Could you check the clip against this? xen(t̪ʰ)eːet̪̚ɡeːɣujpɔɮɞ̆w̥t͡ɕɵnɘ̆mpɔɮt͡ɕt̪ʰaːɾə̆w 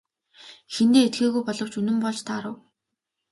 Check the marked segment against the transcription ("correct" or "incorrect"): incorrect